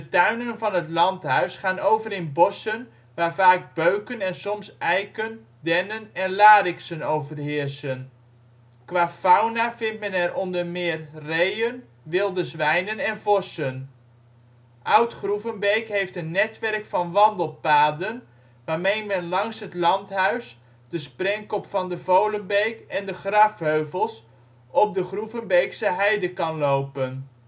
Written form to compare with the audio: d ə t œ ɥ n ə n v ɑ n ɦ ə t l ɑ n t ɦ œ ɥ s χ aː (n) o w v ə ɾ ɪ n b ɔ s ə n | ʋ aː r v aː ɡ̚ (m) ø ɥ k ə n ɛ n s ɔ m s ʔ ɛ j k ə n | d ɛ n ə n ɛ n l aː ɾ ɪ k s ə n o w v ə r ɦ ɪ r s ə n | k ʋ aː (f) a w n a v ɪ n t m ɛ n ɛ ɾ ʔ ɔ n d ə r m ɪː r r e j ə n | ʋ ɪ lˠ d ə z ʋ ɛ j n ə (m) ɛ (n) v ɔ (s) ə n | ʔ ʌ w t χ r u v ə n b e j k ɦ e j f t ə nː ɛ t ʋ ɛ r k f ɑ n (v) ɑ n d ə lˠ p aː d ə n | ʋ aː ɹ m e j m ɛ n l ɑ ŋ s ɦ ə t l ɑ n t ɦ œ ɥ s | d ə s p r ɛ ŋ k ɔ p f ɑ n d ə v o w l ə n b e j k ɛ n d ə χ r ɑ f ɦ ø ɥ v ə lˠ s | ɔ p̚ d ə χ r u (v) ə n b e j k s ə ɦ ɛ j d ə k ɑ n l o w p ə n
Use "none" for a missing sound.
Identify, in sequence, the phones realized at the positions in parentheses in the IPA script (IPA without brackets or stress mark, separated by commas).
n, b, f, n, n, s, ʋ, v